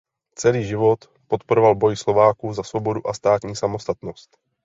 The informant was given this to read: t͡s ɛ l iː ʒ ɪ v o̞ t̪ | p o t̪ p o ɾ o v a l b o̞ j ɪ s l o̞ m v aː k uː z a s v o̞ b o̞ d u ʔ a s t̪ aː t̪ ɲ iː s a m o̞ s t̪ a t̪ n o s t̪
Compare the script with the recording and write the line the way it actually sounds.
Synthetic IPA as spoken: t͡s ɛ l iː ʒ ɪ v o̞ t̪ | p o t̪ p o ɾ o v a l b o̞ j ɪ s l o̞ v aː k uː z a s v o̞ b o̞ d u ʔ a s t̪ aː t̪ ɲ iː s a m o̞ s t̪ a t̪ n o s t̪